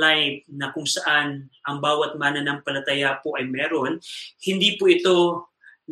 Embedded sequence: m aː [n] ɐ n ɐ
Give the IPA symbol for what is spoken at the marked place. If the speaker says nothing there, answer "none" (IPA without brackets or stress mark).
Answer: n